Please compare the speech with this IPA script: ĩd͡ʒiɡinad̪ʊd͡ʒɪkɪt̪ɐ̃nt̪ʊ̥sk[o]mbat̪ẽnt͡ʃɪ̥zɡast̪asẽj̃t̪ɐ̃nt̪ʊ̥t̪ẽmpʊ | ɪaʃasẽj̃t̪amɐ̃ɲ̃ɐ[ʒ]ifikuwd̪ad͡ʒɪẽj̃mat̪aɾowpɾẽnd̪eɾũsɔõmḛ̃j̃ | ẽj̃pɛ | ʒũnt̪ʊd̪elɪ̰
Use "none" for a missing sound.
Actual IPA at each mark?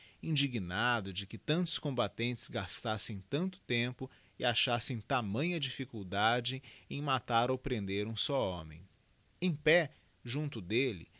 õ, d͡ʒ

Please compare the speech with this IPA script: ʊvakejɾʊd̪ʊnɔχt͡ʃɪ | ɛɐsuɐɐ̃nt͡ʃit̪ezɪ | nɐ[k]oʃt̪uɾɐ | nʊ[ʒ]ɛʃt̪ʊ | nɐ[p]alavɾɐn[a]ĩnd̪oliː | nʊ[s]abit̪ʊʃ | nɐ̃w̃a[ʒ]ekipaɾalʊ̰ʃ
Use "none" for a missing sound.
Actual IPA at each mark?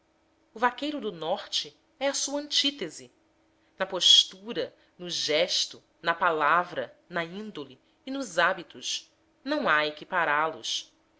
p, ʒ, p, ɐ, z, none

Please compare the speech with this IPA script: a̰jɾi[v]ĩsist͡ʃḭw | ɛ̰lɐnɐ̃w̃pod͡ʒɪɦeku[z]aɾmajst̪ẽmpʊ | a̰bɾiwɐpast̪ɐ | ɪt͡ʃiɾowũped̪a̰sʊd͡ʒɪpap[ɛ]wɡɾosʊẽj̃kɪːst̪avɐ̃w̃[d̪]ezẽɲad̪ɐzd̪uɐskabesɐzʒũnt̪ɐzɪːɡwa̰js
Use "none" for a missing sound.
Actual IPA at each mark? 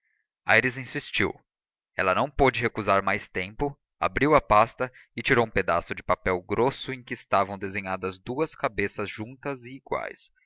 z, z, ɛ, d̪

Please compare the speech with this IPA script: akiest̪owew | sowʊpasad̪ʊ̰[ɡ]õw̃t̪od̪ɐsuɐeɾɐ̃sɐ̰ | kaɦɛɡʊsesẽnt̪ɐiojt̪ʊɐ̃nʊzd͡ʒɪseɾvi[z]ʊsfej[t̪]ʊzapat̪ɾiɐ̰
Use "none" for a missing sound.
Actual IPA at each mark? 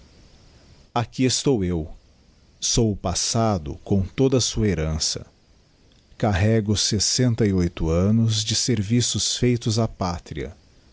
k, s, t̪

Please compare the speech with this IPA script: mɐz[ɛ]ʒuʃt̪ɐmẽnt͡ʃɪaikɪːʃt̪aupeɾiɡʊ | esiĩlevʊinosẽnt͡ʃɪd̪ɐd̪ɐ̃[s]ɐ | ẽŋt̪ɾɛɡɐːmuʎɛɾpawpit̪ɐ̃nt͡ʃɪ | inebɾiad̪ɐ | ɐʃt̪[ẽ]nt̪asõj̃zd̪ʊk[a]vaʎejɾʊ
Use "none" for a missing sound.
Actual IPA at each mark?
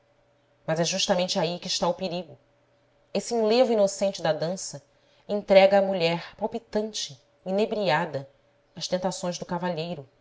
ɛ, s, ẽ, a

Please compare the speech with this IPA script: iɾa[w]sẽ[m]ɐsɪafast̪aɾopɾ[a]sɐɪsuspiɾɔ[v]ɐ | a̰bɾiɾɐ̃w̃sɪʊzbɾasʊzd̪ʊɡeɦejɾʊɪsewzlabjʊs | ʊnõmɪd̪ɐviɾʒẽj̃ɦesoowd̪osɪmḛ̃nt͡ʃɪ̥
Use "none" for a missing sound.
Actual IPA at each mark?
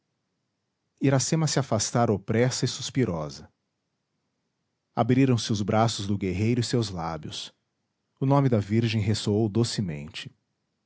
none, m, ɛ, z

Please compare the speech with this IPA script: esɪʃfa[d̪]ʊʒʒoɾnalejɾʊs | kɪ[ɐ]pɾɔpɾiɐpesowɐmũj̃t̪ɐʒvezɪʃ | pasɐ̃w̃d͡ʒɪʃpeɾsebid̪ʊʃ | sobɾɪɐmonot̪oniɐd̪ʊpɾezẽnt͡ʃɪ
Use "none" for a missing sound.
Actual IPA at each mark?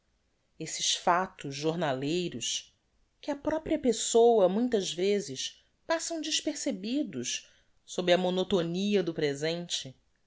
t̪, ɐ

